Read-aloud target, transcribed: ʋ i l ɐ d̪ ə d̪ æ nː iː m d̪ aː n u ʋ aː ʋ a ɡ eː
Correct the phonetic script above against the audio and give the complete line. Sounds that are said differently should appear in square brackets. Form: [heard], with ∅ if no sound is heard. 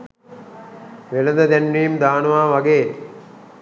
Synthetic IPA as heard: ʋ [e] l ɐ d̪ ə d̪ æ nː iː m d̪ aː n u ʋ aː ʋ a ɡ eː